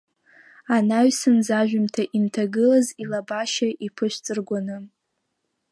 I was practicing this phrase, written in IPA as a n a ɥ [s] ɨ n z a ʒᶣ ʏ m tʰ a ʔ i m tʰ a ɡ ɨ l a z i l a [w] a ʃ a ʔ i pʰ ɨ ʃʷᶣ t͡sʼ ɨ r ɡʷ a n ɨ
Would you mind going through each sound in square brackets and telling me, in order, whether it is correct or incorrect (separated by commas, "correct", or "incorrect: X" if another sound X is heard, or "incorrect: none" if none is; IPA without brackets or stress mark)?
correct, incorrect: b